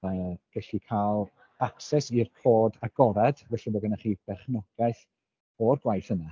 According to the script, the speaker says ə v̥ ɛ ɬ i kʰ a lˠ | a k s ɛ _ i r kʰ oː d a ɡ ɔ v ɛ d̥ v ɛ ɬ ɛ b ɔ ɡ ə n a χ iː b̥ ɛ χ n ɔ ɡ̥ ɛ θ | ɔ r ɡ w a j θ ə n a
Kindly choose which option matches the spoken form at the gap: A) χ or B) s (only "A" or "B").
B